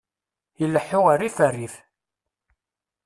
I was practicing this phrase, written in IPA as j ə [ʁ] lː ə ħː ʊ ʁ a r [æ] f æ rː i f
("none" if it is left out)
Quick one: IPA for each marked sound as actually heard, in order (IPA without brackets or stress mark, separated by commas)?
none, i